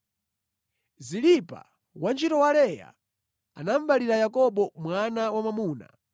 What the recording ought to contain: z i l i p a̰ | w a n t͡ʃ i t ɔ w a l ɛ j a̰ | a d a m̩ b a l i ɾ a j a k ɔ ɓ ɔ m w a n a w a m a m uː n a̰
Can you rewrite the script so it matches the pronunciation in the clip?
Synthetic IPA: z i l i p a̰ | w a n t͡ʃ i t ɔ w a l ɛ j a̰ | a n a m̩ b a l i ɾ a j a k ɔ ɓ ɔ m w a n a w a m a m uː n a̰